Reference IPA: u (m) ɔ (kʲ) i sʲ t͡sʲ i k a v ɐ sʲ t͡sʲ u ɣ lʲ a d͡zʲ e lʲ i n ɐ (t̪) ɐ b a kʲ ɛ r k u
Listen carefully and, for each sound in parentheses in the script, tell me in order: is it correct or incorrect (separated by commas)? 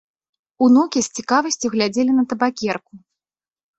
incorrect, correct, correct